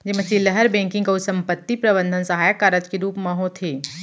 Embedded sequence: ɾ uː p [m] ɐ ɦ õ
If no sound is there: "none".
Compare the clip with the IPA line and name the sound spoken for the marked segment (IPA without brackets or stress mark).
m